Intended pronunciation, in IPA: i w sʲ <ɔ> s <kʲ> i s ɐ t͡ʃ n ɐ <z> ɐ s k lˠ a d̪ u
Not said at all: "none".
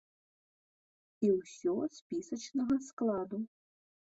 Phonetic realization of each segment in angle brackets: ɔ, pʲ, ɣ

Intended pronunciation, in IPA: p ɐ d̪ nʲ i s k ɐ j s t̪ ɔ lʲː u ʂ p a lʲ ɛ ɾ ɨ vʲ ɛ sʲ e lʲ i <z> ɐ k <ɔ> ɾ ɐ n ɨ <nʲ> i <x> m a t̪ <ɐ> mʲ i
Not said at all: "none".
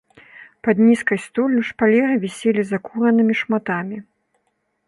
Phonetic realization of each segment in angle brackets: z, u, mʲ, ʂ, a

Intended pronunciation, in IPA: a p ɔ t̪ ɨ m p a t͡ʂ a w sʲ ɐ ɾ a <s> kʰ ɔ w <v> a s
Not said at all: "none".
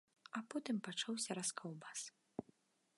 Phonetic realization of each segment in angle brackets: s, b

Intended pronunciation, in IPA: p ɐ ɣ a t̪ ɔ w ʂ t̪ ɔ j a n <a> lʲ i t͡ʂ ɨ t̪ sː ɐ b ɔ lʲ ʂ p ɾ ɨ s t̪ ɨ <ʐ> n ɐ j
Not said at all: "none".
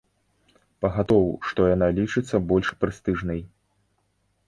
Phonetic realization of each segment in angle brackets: a, ʐ

